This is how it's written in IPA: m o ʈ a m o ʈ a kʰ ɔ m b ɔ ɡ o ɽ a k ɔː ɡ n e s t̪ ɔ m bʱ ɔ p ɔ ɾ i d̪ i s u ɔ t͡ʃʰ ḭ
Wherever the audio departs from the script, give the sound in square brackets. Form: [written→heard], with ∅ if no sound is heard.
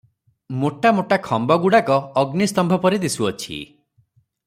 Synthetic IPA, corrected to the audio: m o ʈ a m o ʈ a kʰ ɔ m b ɔ ɡ [o→u] ɽ a k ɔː ɡ n [e→i] s t̪ ɔ m bʱ ɔ p ɔ ɾ i d̪ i s u ɔ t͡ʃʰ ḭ